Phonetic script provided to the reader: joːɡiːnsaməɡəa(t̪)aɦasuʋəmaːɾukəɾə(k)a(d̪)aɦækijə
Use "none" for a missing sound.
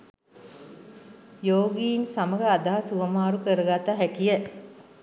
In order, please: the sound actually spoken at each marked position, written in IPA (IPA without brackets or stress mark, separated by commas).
d̪, ɡ, t̪